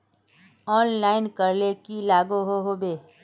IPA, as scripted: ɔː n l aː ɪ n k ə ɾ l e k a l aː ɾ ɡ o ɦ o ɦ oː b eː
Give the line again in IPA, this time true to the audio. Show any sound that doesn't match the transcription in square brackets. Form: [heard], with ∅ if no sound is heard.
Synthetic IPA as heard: ɔː n l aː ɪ n k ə ɾ l e k [i] l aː [∅] ɡ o ɦ o ɦ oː b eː